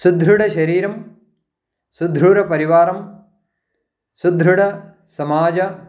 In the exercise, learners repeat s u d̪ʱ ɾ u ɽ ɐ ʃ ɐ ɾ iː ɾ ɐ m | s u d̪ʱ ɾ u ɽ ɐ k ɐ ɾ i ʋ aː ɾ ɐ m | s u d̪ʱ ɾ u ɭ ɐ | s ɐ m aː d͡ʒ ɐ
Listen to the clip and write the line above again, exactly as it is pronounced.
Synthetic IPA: s u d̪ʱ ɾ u ɽ ɐ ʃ ɐ ɾ iː ɾ ɐ m | s u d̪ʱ ɾ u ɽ ɐ p ɐ ɾ i ʋ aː ɾ ɐ m | s u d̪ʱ ɾ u ɽ ɐ | s ɐ m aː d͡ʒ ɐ